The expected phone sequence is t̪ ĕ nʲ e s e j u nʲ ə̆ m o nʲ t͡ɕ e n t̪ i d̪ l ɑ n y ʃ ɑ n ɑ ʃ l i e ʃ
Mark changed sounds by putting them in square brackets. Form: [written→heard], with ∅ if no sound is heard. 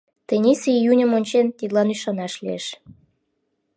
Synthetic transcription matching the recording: t̪ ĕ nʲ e s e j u nʲ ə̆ m o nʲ t͡ɕ e n t̪ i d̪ l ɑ n y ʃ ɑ n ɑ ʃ l i e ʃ